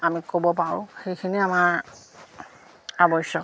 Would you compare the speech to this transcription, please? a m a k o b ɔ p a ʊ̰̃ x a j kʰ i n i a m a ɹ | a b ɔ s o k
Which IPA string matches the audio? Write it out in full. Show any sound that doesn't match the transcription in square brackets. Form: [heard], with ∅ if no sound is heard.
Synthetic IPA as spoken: a m [i] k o b ɔ p a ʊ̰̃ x [e] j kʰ i n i a m a ɹ | a b ɔ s [ɔ] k